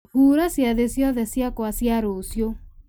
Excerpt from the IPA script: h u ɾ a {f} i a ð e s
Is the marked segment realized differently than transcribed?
yes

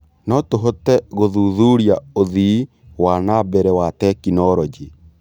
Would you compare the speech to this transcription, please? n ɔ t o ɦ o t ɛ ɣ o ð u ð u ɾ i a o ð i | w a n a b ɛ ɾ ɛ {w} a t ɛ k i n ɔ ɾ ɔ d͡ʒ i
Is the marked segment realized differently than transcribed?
no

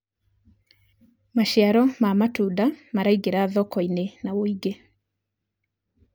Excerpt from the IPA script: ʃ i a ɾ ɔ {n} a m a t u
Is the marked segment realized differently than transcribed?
yes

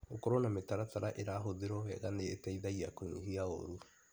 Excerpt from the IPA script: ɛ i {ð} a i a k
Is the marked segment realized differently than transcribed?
no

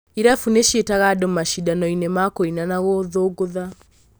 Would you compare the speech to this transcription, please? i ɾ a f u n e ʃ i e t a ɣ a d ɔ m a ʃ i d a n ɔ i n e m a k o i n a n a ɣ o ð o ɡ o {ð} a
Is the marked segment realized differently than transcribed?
no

